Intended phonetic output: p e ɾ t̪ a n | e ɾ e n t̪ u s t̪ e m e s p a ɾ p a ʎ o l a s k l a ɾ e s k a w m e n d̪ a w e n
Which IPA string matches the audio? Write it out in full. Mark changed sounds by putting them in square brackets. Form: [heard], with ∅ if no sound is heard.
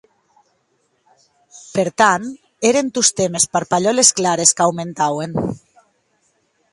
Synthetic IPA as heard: p e ɾ t̪ a n | e ɾ e n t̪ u s t̪ e m e s p a ɾ p a ʎ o l [e] s k l a ɾ e s k a w m e n [t̪] a w e n